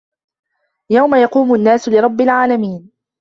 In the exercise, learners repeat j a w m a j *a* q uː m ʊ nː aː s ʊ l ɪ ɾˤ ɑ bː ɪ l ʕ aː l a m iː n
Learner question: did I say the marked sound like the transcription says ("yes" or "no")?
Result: no